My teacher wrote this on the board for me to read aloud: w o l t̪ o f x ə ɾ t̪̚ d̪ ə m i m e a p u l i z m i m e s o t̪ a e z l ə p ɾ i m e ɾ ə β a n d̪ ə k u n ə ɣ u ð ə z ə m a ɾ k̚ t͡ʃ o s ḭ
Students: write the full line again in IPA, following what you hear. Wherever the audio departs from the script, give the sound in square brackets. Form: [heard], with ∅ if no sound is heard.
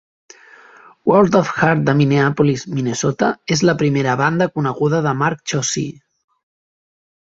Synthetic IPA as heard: w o l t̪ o f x [a] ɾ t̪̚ d̪ ə m i [n] e a p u l i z m i [n] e s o t̪ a e z l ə p ɾ i m e ɾ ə β a n d̪ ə k u n ə ɣ u ð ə [ð] ə m a ɾ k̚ t͡ʃ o s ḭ